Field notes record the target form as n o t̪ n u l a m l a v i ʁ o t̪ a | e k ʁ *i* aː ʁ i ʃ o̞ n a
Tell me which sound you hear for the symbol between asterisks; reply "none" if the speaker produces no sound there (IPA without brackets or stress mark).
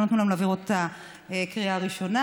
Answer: i